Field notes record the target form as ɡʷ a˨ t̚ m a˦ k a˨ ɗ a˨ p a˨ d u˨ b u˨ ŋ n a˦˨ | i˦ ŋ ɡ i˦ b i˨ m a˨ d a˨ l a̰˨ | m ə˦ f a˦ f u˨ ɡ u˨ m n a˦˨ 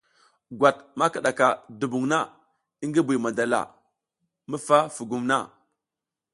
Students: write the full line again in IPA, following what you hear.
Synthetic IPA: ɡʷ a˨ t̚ m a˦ k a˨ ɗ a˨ k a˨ d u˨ b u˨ ŋ n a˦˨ | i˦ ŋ ɡ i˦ b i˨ m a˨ d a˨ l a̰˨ | m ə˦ f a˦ f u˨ ɡ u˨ m n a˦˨